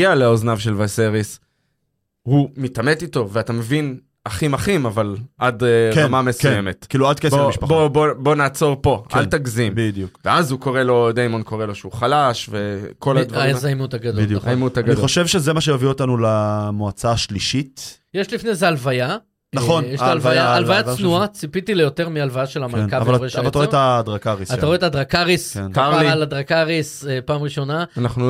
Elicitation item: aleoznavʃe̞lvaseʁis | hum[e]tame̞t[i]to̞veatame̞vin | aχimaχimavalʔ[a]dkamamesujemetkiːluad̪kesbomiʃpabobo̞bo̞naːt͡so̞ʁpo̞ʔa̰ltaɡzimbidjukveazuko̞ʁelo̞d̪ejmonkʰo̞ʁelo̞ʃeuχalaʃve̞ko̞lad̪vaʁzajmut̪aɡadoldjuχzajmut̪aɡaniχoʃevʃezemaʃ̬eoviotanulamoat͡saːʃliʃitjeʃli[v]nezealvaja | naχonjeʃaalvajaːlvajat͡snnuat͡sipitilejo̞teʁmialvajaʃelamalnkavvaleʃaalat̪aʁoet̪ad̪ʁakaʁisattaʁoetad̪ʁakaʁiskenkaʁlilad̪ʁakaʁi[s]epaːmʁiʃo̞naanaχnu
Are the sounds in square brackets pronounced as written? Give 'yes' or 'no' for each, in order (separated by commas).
no, yes, yes, no, yes